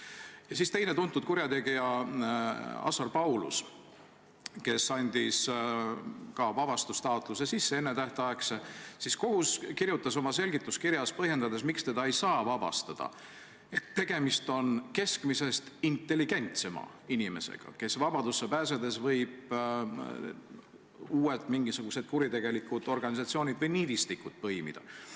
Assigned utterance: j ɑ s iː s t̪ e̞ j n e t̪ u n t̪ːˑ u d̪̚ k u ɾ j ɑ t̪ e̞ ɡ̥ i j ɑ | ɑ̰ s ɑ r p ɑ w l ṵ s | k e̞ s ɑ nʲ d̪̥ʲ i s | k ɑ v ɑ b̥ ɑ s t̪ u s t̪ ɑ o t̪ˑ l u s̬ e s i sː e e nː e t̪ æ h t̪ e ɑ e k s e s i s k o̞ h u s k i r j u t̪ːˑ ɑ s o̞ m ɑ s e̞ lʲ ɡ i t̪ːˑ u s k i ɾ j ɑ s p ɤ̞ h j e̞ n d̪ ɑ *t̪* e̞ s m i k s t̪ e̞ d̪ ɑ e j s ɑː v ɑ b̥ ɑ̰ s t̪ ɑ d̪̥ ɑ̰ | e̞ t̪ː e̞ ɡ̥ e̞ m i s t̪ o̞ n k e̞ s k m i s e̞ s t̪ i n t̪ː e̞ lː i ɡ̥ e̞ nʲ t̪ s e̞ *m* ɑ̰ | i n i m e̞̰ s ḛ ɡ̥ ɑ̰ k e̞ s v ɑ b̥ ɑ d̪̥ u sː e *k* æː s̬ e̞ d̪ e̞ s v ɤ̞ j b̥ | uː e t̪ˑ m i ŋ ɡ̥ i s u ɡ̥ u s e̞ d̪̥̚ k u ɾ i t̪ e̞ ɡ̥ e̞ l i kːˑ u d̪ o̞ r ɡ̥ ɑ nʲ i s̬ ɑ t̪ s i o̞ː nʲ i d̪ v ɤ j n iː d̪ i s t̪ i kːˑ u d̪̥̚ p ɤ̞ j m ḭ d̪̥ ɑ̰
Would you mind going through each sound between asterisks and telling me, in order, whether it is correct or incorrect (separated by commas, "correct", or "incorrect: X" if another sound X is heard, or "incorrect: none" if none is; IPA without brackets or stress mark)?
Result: incorrect: d̪, correct, incorrect: p